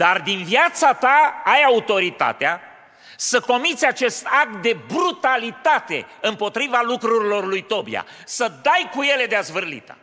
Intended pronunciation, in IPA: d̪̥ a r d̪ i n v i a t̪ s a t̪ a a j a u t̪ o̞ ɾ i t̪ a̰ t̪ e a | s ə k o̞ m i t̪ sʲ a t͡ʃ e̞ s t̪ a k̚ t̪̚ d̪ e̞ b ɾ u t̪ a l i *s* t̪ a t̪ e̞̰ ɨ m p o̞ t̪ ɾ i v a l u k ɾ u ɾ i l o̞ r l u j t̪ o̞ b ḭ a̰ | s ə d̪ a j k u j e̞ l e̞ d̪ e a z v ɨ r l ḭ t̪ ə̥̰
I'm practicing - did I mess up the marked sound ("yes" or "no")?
yes